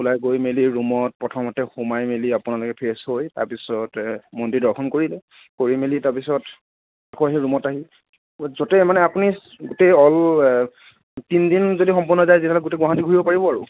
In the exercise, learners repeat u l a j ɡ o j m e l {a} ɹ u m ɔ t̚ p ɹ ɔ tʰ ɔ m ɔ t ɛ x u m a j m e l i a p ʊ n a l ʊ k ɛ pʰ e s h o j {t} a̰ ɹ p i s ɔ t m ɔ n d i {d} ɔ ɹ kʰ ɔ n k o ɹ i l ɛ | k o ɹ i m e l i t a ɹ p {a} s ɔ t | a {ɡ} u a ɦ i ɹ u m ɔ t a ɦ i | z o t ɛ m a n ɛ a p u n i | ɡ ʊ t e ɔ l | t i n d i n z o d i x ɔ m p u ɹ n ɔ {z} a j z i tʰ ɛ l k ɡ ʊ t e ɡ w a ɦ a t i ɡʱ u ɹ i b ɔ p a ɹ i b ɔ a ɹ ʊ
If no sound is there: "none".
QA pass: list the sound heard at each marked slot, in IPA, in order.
i, t, d, i, k, z

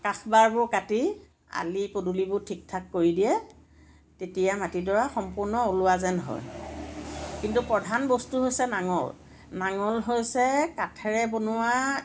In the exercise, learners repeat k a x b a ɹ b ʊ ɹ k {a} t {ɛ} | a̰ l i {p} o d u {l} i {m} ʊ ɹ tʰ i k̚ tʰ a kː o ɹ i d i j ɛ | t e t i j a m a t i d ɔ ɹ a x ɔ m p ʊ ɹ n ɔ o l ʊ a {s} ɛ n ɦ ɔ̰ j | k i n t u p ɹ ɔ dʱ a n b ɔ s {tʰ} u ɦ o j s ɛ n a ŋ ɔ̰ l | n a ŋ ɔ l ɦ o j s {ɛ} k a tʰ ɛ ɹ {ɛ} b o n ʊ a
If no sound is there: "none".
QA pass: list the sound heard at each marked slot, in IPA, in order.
a, i, p, l, b, z, t, ɛ, ɛ

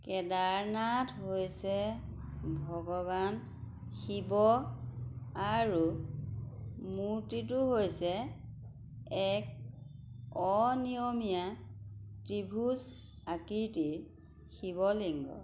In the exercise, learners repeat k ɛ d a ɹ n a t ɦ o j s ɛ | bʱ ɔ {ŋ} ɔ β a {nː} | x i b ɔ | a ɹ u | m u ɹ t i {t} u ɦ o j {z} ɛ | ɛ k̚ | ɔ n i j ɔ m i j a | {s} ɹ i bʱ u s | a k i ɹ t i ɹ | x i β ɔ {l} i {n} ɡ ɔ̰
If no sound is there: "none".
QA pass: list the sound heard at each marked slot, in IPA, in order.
ɡ, n, t, s, t, l, ŋ

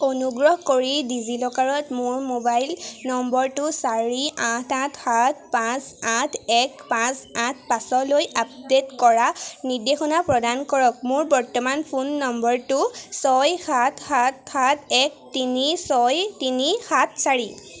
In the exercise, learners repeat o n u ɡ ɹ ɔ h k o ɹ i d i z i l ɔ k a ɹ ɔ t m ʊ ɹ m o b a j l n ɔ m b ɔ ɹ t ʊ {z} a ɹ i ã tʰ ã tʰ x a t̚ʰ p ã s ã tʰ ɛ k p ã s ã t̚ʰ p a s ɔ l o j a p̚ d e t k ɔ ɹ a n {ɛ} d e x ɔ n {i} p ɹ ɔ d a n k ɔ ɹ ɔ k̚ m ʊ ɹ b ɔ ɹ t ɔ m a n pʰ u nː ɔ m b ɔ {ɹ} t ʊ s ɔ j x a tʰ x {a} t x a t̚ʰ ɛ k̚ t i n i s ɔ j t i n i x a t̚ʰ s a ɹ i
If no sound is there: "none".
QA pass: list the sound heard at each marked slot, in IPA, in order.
s, i, a, ɹ, a

